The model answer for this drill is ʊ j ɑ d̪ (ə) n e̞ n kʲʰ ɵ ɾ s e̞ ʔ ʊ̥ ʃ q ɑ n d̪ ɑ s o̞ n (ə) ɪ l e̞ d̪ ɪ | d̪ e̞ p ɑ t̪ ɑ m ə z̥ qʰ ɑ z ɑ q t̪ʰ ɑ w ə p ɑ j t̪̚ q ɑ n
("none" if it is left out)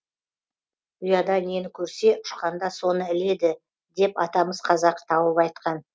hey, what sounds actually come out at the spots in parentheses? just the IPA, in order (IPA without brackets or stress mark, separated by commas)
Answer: ɑ, ə